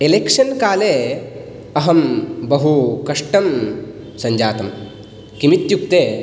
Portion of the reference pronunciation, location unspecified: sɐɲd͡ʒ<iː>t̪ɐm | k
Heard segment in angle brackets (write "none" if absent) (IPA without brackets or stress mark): aː